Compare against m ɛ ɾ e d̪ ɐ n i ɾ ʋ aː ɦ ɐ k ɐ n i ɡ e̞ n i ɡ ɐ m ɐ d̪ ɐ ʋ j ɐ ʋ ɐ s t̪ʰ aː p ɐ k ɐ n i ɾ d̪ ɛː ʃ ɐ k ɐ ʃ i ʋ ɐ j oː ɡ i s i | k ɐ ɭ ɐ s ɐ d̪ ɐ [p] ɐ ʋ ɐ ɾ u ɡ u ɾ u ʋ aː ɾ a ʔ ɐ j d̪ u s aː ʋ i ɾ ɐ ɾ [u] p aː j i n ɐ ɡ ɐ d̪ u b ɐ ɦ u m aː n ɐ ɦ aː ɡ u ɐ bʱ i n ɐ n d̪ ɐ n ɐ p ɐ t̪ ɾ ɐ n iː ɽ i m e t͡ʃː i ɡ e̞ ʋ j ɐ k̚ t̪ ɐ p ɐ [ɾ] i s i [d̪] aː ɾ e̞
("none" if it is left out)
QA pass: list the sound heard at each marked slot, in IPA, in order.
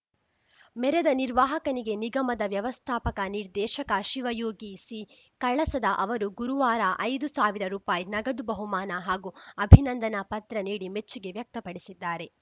ʔ, uː, ɽ, d̪ː

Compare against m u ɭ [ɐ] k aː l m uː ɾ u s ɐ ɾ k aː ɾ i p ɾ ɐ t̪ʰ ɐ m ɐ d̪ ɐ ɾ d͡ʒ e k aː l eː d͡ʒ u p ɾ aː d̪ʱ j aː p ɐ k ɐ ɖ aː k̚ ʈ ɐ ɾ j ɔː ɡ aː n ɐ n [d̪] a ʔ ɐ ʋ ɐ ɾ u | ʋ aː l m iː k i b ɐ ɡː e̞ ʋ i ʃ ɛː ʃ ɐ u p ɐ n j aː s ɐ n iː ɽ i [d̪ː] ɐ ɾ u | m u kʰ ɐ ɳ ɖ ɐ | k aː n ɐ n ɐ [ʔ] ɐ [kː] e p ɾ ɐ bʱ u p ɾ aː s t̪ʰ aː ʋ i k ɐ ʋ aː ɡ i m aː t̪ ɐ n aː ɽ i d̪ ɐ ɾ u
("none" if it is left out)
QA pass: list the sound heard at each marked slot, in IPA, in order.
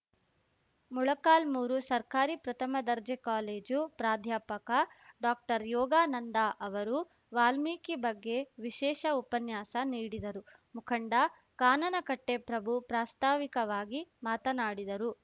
ɐ, d̪, d̪, k, ʈː

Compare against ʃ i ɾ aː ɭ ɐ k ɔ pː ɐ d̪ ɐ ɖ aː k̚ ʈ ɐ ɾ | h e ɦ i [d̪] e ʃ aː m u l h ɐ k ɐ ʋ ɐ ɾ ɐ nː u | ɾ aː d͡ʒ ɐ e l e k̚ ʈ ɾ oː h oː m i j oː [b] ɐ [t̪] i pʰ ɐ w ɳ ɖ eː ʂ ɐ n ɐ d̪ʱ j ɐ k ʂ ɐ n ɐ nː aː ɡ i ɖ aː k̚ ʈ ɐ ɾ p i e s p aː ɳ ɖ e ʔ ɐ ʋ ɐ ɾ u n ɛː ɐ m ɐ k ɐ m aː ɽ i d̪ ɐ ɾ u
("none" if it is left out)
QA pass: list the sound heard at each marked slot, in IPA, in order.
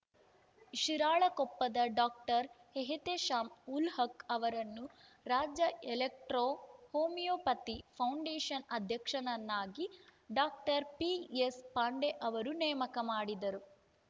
t̪, p, t̪

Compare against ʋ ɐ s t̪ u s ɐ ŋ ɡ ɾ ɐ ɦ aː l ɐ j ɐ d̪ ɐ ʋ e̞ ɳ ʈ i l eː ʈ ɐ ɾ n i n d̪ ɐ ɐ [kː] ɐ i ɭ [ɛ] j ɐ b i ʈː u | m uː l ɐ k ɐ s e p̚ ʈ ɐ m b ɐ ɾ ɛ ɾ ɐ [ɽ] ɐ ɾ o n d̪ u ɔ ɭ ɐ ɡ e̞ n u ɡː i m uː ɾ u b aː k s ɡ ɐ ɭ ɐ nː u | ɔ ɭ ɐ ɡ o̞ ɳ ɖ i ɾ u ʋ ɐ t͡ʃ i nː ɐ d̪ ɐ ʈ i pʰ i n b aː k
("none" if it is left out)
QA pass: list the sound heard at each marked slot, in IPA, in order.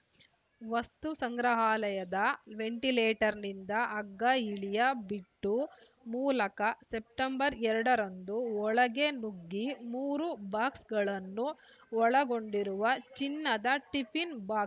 ɡː, i, ɽ

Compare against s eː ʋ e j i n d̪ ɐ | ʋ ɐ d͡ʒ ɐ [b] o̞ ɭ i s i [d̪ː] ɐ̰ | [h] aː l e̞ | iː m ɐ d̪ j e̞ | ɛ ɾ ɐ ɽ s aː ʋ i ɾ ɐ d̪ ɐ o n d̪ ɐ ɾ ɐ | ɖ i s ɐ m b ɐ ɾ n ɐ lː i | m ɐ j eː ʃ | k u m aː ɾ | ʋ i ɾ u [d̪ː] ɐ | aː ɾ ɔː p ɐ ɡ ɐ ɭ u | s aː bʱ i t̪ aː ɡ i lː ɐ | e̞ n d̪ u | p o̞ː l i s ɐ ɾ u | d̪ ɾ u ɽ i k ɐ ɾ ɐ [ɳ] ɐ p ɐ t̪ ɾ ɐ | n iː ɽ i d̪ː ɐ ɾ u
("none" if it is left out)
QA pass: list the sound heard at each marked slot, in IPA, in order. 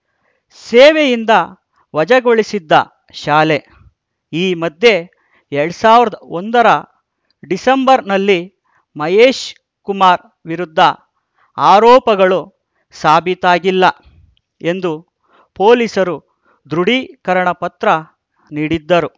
ɡ, d̪ː, ʃ, d̪ː, ɳ

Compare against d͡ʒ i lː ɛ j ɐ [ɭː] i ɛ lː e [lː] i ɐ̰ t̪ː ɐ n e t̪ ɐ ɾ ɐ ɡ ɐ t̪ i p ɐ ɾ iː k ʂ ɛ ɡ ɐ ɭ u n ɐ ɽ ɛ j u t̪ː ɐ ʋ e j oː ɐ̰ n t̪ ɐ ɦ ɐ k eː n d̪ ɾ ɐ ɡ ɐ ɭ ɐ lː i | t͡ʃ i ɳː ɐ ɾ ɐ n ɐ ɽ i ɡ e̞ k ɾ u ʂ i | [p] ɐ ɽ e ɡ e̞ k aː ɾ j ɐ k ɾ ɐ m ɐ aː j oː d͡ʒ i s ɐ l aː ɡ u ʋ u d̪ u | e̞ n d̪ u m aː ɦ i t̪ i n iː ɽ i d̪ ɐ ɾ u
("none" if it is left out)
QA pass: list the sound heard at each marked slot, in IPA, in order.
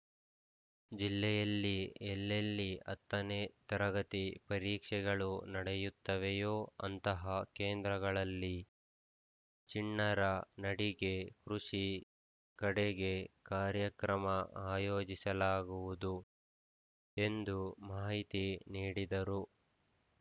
lː, lː, k

